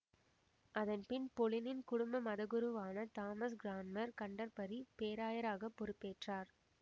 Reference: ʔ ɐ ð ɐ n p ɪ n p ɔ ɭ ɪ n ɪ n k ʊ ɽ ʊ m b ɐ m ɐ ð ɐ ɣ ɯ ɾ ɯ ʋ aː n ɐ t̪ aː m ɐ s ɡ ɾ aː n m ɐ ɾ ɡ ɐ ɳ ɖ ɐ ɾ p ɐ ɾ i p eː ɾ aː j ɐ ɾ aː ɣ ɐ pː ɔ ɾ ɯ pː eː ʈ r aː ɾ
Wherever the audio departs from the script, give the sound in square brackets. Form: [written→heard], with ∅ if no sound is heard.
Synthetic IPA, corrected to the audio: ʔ ɐ ð ɐ n p ɪ n p ɔ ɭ ɪ n ɪ n k ʊ ɽ ʊ m b ɐ m ɐ ð ɐ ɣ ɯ ɾ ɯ ʋ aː n ɐ t̪ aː m ɐ s ɡ ɾ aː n m ɐ ɾ [ɡ→k] ɐ ɳ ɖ ɐ ɾ p ɐ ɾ i p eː ɾ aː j ɐ ɾ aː ɣ ɐ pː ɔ ɾ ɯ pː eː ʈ r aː ɾ